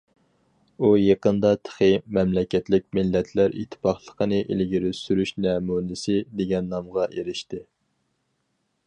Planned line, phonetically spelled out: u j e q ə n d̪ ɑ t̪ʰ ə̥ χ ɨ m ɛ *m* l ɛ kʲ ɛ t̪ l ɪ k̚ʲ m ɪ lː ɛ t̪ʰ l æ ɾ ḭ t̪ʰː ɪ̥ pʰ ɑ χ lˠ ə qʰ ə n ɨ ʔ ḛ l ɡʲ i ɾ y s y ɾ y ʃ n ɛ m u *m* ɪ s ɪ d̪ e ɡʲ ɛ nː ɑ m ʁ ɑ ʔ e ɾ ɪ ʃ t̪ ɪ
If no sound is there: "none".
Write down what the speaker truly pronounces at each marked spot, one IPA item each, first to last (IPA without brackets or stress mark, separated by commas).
m, n